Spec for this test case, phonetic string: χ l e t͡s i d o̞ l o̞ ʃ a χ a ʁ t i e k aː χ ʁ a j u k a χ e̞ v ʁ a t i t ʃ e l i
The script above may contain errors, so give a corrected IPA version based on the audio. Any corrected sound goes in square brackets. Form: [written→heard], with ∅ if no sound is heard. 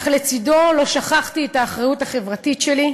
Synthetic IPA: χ l e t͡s i d o̞ l o̞ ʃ a χ a [ʁ→χ] t i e [k→t] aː χ ʁ a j u [k→t] a χ e̞ v ʁ a t i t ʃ e l i

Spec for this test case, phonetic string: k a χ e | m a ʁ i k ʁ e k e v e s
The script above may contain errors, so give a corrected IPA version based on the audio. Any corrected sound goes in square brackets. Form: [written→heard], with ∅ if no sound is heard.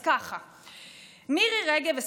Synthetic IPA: k a χ [e→a] | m [a→i] ʁ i [k→∅] ʁ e [k→ɡ] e v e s

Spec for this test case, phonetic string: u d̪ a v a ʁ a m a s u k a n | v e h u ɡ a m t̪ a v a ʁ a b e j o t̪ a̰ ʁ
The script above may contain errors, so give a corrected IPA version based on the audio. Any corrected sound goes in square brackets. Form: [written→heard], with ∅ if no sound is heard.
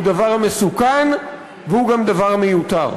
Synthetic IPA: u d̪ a v a ʁ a m [a→e] s u k a n | v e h u ɡ a m [t̪→d̪] a v a ʁ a [b→m] e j [o→u] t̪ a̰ ʁ

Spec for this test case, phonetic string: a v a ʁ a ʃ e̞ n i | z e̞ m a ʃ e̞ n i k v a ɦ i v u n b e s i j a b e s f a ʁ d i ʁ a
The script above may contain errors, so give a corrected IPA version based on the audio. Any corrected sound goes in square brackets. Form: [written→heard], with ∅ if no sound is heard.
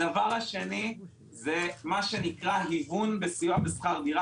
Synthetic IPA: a v a ʁ a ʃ e̞ n i | z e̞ m a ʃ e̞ n i k [v→ʁ] a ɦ i v u n b e s i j a b e s [f→χ] a ʁ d i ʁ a

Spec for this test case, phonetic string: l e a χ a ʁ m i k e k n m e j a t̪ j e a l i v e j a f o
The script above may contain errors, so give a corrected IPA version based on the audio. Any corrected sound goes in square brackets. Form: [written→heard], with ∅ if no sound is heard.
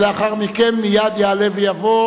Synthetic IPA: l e a χ a ʁ m i k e [k→∅] n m [e→i] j a [t̪→d̪] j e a l [i→e] v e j a [f→v] o

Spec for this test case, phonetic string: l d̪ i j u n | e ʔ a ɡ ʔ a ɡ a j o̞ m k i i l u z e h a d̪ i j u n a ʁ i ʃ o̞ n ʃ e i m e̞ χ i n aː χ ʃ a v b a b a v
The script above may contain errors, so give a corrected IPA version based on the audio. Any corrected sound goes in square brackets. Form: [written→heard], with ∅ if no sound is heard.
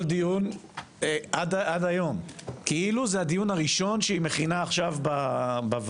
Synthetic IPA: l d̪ i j u n | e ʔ a [ɡ→d] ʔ a [ɡ→d] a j o̞ m k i i l u z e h a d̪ i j u n a ʁ i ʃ o̞ n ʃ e i m e̞ χ i n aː χ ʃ a v b a b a v

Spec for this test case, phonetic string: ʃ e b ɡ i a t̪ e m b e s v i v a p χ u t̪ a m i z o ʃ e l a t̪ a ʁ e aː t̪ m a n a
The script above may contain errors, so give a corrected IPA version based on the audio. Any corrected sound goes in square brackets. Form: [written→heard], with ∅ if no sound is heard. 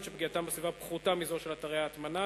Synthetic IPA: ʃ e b ɡ i a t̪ [e→a] m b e s v i v a p χ u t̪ a m i z o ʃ e l a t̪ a ʁ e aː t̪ m a n a

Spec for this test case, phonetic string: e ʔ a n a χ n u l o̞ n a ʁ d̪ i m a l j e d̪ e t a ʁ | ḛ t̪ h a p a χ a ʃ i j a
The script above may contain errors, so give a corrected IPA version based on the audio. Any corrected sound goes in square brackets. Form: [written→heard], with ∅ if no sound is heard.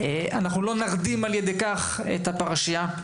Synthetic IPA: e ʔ a n a χ n u l o̞ n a ʁ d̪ i m a l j e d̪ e [t→k] a [ʁ→χ] | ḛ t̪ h a p a [χ→ʁ] a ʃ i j a

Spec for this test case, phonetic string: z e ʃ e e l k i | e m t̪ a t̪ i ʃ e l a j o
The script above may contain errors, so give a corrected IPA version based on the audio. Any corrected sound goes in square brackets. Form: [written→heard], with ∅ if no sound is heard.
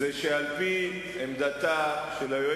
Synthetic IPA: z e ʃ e [e→a] l [k→p] i | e m [t̪→d̪] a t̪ [i→a] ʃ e l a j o

